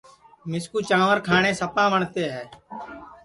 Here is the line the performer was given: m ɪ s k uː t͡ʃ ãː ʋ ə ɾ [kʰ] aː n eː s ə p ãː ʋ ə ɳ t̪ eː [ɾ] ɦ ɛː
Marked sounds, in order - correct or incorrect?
correct, incorrect

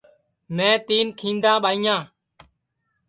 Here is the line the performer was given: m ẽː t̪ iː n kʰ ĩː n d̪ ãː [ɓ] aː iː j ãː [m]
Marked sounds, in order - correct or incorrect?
correct, incorrect

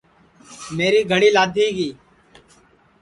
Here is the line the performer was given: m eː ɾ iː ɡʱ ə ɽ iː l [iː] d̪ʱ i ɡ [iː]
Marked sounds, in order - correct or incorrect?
incorrect, correct

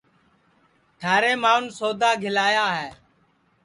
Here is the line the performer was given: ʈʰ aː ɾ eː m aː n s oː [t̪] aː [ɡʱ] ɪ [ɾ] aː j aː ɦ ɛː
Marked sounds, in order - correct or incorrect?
incorrect, correct, incorrect

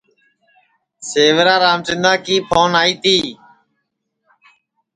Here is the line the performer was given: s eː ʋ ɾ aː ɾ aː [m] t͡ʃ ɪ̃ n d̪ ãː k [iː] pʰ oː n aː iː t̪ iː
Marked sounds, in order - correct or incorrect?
correct, correct

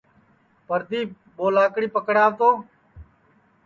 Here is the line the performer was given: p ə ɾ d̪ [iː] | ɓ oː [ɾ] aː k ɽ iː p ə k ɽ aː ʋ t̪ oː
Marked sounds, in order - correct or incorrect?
correct, incorrect

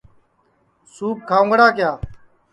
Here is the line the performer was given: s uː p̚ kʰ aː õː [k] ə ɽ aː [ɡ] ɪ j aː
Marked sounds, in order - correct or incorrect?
incorrect, incorrect

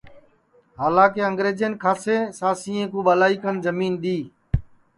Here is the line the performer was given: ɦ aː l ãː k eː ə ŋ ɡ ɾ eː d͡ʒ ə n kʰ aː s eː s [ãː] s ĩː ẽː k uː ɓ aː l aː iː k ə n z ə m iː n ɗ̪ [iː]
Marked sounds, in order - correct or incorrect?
incorrect, correct

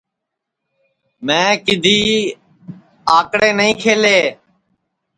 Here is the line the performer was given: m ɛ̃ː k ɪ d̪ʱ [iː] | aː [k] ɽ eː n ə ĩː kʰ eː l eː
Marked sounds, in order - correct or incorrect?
correct, correct

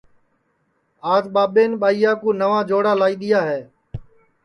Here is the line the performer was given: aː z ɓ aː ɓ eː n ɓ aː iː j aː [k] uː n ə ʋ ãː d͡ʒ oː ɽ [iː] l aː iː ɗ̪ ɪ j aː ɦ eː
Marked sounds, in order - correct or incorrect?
correct, incorrect

